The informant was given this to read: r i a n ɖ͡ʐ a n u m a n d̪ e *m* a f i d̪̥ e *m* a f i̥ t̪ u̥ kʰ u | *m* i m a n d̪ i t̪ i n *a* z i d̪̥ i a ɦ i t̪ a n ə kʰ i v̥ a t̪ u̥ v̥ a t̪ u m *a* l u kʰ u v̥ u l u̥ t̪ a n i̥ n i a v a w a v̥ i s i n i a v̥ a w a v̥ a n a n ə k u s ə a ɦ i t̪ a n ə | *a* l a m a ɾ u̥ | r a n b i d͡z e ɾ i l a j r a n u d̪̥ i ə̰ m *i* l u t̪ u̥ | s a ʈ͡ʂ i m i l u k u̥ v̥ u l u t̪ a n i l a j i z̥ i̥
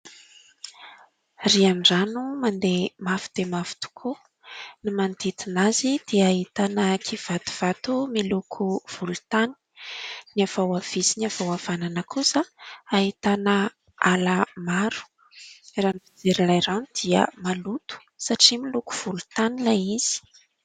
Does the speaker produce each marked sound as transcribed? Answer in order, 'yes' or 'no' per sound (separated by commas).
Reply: yes, yes, no, yes, no, yes, no